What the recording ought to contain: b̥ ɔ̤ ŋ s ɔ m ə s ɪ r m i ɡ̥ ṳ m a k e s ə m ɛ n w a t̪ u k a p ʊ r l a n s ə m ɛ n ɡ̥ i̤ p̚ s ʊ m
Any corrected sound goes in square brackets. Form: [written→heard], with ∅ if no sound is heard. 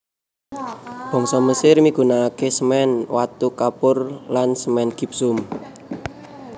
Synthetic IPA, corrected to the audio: b̥ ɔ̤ ŋ s ɔ m ə s ɪ r m i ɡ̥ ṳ [m→n] a k e s ə m ɛ n w a t̪ u k a p ʊ r l a n s ə m ɛ n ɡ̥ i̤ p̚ s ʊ m

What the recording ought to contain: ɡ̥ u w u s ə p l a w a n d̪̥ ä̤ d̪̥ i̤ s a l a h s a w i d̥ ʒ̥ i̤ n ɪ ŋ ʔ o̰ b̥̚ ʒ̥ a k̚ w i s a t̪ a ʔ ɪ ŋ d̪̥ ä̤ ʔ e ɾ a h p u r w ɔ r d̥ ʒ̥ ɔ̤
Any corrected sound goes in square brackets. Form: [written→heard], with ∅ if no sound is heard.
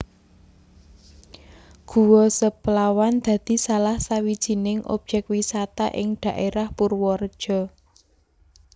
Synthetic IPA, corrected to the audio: ɡ̥ u w [u→ɔ] s ə p l a w a n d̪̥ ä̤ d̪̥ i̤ s a l a h s a w i d̥ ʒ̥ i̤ n ɪ ŋ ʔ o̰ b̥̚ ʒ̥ [a→ɛ] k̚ w i s a t̪ a ʔ ɪ ŋ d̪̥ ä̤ ʔ e ɾ a h p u r w ɔ r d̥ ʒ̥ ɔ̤

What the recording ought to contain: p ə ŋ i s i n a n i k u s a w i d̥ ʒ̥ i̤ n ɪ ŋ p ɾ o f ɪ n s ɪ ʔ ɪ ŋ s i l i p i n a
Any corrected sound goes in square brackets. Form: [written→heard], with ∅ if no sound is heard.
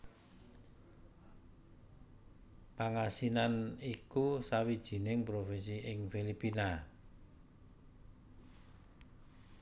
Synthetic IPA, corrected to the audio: p [ə→a] ŋ [i→a] s i n a n i k u s a w i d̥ ʒ̥ i̤ n ɪ ŋ p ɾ o f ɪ n s [ɪ→i] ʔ ɪ ŋ [s→f] i l i p i n a

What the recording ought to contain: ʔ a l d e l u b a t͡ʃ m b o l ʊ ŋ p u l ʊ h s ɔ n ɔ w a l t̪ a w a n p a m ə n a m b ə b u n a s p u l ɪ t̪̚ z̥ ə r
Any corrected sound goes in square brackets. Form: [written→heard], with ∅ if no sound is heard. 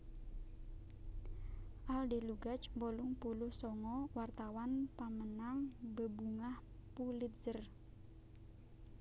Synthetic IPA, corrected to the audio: ʔ a l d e l u [b→ɡ] a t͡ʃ m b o l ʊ ŋ p u l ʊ h s ɔ [n→ŋ] ɔ w a [l→r] t̪ a w a n p a m ə n a [m→ŋ] b ə b u [n→ŋ] a [s→h] p u l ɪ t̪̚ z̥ ə r

